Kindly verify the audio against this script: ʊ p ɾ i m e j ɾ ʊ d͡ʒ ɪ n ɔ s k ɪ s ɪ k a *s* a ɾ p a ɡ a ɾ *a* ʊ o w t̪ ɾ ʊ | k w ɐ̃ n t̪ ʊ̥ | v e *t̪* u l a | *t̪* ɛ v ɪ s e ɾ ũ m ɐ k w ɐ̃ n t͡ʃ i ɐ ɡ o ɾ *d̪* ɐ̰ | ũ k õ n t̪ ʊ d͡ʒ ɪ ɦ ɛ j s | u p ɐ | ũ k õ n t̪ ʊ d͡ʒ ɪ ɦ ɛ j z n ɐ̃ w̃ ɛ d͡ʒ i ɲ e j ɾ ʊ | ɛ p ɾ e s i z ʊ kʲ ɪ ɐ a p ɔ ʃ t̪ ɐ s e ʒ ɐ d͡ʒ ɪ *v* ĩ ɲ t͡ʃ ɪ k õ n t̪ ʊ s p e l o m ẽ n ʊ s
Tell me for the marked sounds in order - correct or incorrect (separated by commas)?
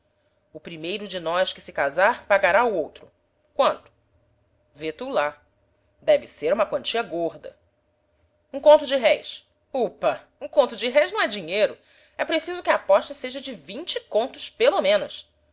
incorrect, correct, correct, incorrect, correct, correct